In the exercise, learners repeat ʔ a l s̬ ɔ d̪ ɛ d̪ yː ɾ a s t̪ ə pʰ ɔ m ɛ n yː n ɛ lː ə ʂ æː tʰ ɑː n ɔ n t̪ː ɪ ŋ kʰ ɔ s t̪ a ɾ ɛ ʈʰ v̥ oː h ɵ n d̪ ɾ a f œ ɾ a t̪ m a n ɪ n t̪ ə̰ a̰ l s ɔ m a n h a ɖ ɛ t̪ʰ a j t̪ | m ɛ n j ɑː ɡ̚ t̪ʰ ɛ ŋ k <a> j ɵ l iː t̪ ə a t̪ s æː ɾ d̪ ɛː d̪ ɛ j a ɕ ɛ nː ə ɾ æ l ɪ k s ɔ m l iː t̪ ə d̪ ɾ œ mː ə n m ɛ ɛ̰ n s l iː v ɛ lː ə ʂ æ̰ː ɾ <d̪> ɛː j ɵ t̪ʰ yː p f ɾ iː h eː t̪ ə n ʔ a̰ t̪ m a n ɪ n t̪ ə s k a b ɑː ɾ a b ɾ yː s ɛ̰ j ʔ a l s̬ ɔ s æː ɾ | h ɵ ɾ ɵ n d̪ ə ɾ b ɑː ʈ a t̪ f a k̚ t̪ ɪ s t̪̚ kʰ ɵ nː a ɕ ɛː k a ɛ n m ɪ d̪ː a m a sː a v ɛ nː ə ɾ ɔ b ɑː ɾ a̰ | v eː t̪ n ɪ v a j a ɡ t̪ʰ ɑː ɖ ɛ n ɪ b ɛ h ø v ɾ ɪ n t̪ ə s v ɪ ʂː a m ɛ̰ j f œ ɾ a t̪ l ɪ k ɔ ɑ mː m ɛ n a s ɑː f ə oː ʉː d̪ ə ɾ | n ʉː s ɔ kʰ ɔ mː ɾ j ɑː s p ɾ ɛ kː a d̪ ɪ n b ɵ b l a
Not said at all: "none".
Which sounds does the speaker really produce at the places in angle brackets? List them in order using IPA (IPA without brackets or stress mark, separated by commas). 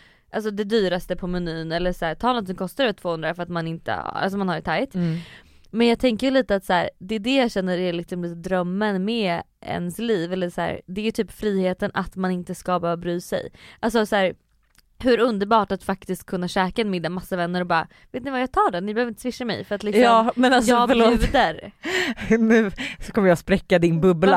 ə, d̪